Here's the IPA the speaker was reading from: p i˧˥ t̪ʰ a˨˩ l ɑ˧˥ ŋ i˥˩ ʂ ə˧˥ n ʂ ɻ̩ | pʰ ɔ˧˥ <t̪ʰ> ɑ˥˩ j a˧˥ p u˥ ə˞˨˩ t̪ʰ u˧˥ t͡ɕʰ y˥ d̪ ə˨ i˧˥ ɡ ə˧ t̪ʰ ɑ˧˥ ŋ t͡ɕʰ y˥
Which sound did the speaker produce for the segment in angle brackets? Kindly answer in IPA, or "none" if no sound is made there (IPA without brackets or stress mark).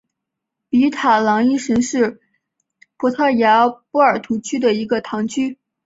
t̪ʰ